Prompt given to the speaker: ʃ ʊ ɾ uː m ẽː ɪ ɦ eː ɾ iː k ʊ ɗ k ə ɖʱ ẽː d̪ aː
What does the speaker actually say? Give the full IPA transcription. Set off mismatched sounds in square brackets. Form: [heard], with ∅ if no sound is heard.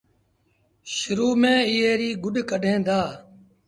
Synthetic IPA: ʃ ʊ ɾ uː m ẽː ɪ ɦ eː ɾ iː [ɡ] ʊ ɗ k ə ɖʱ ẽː d̪ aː